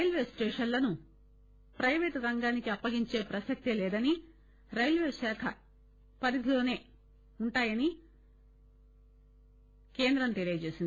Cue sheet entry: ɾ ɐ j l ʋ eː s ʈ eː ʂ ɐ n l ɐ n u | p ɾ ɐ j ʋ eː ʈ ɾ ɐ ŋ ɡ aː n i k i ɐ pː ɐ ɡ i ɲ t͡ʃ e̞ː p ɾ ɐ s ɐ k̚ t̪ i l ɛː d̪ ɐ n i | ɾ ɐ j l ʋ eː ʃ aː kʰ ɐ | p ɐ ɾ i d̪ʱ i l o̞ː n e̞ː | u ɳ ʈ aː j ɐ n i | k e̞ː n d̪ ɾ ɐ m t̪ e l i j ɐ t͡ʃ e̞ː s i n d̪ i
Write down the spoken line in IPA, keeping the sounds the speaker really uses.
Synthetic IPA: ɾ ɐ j l ʋ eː s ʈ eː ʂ ɐ n l ɐ n u | p ɾ ɐ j ʋ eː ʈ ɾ ɐ ŋ ɡ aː n i k i ɐ pː ɐ ɡ i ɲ t͡ʃ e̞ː p ɾ ɐ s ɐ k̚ t̪ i l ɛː d̪ ɐ n i | ɾ ɐ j l ʋ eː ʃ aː kʰ ɐ | p ɐ ɾ i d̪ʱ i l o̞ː n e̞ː | u ɳ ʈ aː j ɐ n i | k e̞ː n d̪ ɾ ɐ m t̪ e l i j ɐ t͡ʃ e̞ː s i n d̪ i

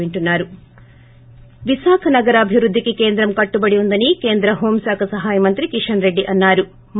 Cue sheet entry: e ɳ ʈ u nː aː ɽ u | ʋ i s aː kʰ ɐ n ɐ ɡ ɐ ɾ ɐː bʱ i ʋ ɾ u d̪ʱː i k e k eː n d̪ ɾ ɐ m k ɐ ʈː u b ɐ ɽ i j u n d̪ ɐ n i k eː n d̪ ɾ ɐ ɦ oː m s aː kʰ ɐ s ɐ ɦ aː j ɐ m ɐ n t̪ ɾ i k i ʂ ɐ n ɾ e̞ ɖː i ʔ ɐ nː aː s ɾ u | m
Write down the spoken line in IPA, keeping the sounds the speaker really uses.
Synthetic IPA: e ɳ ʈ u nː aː ɾ u | ʋ i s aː kʰ ɐ n ɐ ɡ ɐ ɾ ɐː bʱ i ʋ ɾ u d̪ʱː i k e k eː n d̪ ɾ ɐ m k ɐ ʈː u b ɐ ɽ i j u n d̪ ɐ n i k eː n d̪ ɾ ɐ ɦ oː m s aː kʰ ɐ s ɐ ɦ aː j ɐ m ɐ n t̪ ɾ i k i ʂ ɐ n ɾ e̞ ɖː i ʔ ɐ nː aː ɾ u | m

